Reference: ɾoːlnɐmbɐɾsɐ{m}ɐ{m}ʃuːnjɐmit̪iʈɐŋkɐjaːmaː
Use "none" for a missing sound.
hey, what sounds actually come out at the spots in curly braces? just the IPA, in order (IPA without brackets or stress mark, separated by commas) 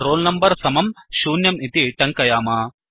m, m